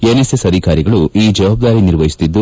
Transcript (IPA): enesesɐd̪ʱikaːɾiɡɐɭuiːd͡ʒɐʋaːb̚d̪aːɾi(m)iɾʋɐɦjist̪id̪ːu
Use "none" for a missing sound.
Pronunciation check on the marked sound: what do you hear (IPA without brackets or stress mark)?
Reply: n